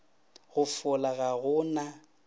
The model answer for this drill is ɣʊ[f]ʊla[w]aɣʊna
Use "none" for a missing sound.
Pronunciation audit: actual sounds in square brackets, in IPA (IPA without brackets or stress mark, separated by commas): f, ɣ